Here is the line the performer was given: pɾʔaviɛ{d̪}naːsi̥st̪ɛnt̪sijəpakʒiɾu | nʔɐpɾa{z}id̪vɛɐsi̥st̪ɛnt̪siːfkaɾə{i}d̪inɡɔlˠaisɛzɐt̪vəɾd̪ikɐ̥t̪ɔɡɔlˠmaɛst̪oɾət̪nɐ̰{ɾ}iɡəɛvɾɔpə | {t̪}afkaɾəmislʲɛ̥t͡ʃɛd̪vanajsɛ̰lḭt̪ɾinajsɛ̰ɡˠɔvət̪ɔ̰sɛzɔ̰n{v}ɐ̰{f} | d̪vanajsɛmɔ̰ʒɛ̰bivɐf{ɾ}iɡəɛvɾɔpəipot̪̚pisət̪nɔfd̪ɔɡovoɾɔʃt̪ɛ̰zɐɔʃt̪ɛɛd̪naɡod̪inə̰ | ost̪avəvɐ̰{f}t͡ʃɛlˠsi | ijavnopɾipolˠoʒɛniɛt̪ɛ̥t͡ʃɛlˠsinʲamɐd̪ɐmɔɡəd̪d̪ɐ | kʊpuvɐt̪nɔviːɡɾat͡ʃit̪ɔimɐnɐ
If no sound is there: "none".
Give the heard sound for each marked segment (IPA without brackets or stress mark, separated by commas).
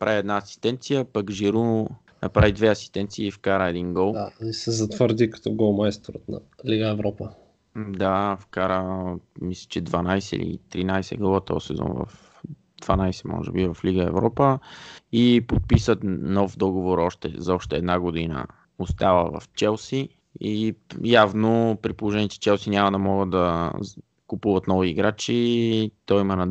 d̪, v, ɛ, l, d̪, v, f, l, f